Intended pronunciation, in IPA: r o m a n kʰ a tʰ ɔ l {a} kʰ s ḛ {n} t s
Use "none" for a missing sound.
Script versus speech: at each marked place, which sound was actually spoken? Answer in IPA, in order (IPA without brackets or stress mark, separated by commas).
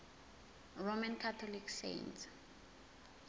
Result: i, n